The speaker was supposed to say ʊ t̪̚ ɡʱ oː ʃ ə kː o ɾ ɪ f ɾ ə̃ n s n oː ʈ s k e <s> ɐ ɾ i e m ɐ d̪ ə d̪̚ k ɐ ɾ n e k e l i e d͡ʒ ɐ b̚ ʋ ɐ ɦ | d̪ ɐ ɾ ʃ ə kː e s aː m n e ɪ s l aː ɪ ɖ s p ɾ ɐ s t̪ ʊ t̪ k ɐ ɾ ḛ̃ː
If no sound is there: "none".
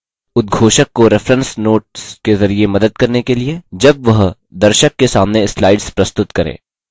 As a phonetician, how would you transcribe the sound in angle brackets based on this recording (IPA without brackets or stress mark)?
z